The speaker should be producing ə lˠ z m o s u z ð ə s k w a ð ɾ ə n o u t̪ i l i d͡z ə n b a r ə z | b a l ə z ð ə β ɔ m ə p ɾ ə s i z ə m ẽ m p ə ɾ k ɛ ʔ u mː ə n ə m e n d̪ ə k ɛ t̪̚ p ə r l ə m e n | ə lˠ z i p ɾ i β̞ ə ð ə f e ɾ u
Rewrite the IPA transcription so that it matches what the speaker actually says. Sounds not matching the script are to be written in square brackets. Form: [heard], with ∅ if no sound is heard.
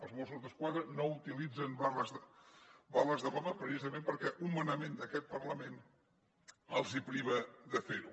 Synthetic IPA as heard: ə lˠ z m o s u z ð ə s k w a ð ɾ ə n o u t̪ i l i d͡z ə n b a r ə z | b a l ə z ð ə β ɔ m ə p ɾ ə s i z ə m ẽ m p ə ɾ k ɛ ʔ u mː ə n ə m e n d̪ ə k ɛ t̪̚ p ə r l ə m e n | ə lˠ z i p ɾ i β̞ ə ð ə f e ɾ u